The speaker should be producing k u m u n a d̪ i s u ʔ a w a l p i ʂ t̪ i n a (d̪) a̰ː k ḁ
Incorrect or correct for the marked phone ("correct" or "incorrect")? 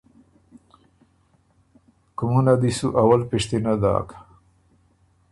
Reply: correct